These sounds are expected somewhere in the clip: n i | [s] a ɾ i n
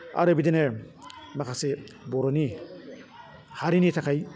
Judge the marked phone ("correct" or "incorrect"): incorrect